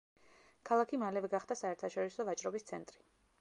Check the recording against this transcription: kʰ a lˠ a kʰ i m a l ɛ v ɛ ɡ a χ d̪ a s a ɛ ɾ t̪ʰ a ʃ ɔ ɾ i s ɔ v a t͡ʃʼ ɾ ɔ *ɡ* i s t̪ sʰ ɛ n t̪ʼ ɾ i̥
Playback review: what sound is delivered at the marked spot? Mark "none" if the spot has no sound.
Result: b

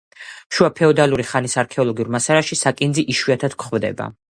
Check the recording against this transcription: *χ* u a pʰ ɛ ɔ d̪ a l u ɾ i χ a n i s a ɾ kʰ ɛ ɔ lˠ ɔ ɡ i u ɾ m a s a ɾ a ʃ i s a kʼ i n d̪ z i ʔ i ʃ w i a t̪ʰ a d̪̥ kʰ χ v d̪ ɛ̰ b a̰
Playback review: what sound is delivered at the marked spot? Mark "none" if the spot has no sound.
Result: ʃ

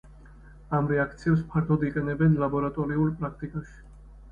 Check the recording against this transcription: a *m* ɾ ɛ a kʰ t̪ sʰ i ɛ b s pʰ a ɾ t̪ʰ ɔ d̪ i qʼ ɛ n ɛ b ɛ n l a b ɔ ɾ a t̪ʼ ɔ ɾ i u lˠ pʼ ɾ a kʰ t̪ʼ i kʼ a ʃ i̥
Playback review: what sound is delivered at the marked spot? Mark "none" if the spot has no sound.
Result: m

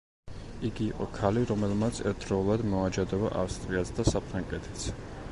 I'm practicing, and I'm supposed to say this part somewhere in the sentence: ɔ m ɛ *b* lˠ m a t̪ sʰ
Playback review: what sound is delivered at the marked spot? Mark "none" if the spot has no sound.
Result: none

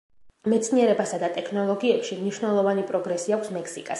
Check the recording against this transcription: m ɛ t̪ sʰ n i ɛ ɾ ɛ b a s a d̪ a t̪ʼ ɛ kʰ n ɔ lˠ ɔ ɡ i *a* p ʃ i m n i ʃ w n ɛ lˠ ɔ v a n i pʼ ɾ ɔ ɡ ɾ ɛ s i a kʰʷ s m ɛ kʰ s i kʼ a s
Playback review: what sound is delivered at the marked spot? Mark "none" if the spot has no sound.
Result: ɛ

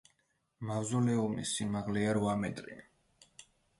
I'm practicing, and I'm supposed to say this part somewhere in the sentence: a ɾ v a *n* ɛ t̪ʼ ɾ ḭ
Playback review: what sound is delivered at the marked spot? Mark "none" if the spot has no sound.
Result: m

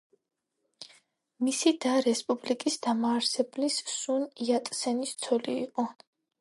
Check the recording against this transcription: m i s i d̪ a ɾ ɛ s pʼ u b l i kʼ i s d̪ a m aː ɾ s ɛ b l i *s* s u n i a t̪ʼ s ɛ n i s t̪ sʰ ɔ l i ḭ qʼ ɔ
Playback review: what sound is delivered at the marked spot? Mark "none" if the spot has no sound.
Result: s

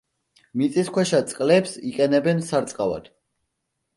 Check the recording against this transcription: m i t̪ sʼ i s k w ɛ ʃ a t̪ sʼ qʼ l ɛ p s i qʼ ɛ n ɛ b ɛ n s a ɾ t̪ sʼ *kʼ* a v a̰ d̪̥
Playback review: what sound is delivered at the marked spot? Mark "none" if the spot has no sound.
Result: qʼ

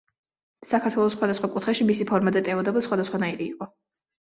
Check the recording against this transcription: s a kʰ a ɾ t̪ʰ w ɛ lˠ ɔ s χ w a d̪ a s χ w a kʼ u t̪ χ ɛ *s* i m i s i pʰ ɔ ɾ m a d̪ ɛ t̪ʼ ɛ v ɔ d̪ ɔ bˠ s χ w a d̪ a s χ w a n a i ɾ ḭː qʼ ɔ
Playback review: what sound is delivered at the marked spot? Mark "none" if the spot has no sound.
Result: ʃ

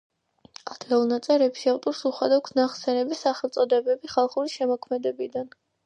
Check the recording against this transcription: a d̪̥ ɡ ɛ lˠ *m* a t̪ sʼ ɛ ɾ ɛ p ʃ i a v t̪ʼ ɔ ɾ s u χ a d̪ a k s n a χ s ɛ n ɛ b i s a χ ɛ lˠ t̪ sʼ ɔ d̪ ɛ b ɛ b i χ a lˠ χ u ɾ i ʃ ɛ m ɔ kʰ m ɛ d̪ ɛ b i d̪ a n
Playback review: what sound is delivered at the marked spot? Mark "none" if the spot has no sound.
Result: n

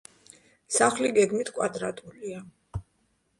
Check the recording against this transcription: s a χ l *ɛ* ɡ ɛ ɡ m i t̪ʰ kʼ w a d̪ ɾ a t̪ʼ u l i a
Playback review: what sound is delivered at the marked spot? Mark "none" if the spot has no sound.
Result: i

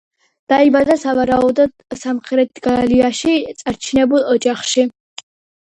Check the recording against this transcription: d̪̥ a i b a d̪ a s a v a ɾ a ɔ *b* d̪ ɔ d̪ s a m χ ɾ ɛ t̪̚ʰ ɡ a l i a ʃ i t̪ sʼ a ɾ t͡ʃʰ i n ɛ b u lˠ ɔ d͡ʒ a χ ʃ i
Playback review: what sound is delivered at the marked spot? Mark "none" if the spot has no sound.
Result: b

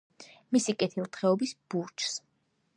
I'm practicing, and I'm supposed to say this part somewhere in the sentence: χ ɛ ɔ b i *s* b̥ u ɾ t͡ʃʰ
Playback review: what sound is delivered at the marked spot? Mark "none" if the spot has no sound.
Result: s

